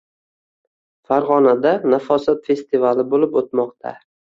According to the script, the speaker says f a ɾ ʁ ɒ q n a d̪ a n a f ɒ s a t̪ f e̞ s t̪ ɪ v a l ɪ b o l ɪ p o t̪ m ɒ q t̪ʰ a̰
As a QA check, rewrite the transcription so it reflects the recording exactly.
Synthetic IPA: f a ɾ ʁ ɒ n a d̪ a n a f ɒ s a t̪ f e̞ s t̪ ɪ v a l ɪ b o l ɪ p o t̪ m ɒ q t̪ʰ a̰